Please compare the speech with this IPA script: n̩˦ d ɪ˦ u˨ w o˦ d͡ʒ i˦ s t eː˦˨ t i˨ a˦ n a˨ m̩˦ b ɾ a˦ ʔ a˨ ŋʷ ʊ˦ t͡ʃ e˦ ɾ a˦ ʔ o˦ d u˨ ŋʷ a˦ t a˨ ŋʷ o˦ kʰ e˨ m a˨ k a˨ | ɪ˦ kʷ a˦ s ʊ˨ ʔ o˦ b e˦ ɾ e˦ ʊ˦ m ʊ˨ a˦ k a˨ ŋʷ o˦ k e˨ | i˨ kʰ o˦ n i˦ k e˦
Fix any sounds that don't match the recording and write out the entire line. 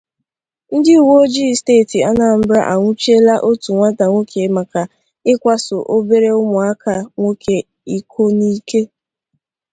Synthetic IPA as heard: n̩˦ d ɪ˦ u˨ w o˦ d͡ʒ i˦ s t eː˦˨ t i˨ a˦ n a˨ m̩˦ b ɾ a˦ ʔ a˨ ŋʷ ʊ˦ t͡ʃ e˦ l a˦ ʔ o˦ t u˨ ŋʷ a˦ t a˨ ŋʷ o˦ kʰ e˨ m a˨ k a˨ | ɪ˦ kʷ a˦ s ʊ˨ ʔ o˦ b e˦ ɾ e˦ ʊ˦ m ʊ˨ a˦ k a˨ ŋʷ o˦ k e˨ | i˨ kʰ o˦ n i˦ k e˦